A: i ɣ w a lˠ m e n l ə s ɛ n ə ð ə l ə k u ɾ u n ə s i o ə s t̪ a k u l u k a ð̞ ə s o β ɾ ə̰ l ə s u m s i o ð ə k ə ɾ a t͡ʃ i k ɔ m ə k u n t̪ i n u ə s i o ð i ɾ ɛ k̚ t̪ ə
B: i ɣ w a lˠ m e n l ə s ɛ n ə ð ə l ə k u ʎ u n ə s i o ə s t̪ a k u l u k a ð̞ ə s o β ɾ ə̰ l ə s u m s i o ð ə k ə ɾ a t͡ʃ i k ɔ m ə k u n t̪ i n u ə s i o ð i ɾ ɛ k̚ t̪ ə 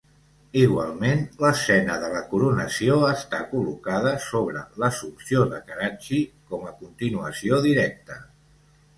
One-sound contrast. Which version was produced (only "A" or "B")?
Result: A